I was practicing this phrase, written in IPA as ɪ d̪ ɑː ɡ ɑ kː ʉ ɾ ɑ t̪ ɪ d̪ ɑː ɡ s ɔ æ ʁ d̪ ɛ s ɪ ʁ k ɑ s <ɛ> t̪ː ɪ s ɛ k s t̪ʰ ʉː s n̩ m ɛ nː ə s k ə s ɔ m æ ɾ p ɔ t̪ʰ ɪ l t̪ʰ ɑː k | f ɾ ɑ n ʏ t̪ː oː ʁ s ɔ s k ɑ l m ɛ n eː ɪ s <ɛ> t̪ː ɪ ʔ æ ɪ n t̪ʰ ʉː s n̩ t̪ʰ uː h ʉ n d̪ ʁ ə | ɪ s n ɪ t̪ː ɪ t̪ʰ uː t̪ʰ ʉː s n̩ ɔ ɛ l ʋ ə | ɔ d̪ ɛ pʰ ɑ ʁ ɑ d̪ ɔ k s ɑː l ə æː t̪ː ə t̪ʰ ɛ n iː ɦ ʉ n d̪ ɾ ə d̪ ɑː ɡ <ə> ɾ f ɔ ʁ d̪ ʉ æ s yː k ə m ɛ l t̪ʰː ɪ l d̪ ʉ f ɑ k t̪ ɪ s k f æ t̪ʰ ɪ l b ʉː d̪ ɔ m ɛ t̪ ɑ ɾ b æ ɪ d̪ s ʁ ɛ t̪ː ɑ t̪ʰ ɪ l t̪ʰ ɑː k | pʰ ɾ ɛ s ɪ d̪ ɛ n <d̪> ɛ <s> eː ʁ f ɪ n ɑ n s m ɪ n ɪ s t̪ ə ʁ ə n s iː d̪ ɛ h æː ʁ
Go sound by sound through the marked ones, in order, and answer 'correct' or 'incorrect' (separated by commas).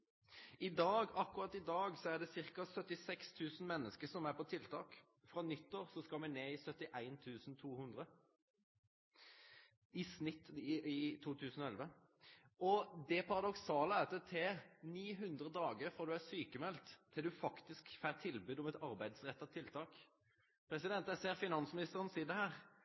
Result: incorrect, incorrect, correct, incorrect, correct